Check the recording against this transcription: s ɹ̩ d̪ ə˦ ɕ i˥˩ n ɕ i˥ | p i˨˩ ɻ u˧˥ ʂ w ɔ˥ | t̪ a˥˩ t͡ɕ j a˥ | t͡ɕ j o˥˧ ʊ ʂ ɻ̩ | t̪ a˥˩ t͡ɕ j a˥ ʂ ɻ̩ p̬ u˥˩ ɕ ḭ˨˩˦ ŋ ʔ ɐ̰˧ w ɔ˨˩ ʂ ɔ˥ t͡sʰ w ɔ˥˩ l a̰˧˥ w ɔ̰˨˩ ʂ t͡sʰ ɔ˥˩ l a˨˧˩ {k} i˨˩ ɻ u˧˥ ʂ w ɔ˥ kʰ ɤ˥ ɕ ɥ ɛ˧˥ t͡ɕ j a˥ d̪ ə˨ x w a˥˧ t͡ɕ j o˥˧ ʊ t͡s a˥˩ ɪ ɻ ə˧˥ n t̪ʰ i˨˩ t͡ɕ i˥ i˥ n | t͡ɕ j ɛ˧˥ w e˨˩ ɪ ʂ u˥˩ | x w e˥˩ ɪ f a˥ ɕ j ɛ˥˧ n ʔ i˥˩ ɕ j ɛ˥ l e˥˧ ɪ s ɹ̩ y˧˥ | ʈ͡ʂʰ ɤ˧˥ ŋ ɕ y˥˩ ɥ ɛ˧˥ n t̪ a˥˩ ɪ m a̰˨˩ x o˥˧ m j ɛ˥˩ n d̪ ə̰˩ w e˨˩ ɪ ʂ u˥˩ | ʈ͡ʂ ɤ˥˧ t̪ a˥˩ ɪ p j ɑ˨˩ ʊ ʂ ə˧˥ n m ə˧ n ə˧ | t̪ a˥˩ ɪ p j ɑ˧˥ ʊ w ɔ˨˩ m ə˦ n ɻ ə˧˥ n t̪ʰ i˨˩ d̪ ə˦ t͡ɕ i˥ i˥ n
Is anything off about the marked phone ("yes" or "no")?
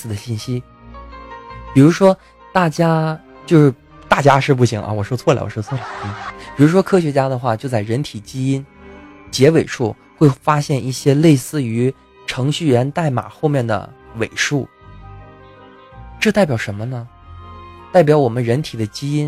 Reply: yes